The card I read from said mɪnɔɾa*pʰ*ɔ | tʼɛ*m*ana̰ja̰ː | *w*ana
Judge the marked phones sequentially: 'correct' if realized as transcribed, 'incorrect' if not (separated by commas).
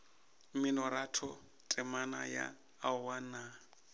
incorrect, correct, correct